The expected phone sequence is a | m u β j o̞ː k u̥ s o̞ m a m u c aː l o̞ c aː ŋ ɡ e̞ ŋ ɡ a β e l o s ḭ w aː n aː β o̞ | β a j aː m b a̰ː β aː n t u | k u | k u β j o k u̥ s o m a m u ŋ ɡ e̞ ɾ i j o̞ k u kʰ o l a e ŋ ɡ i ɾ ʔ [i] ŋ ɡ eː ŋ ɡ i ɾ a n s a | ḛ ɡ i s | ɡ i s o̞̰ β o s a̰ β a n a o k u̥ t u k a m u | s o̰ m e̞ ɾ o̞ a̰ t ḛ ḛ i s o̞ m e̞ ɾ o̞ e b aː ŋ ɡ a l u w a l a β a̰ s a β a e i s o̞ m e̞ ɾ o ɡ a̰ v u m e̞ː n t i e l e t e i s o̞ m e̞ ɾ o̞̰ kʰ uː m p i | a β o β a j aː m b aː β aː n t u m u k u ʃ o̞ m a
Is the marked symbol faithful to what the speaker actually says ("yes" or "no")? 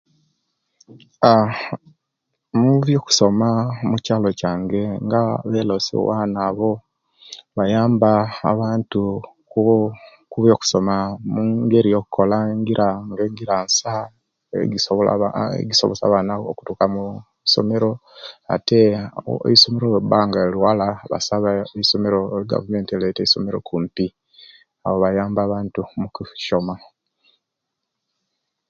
no